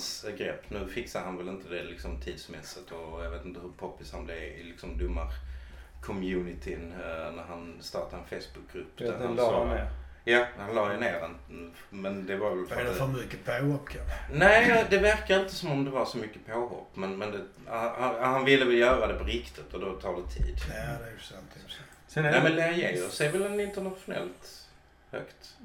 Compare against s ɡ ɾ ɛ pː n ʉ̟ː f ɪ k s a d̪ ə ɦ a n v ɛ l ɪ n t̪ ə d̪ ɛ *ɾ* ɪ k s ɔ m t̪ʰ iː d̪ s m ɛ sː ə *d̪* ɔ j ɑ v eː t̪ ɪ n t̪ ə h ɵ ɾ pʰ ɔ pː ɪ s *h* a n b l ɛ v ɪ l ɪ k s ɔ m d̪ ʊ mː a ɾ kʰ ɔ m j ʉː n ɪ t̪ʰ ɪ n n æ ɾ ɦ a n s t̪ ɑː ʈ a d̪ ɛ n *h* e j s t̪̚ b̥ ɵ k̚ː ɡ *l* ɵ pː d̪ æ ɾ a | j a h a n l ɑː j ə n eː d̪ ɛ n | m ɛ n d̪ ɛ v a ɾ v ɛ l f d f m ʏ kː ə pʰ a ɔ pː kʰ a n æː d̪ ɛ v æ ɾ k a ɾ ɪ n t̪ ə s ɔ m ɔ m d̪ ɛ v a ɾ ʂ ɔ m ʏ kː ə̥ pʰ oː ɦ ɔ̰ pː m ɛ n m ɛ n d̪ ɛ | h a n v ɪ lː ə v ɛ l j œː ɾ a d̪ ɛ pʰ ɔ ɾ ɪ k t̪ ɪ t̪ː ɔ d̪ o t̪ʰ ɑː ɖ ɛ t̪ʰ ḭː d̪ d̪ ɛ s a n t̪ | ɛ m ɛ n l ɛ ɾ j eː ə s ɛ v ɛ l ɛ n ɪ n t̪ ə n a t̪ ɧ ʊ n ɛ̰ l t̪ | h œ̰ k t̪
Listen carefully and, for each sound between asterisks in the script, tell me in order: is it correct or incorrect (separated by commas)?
incorrect, incorrect, correct, incorrect, incorrect